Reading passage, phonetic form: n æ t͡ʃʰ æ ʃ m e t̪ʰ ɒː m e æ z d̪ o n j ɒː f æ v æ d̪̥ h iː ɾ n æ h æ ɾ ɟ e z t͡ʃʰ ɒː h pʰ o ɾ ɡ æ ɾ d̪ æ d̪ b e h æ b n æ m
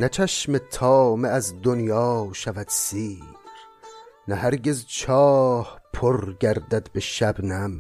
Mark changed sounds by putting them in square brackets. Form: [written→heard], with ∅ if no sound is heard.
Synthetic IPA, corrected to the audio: n æ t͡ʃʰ æ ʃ m e t̪ʰ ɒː m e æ z d̪ o n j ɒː [f→ʃ] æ v æ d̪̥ [h→s] iː ɾ n æ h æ ɾ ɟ e z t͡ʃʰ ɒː h pʰ o ɾ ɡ æ ɾ d̪ æ d̪ b e [h→ʃ] æ b n æ m